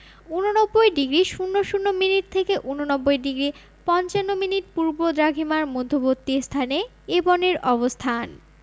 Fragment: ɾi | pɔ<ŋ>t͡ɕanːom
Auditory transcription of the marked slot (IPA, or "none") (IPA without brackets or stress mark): n